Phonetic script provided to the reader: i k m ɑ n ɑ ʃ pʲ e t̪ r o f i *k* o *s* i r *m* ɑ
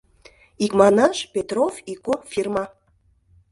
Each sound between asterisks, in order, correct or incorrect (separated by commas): correct, incorrect, correct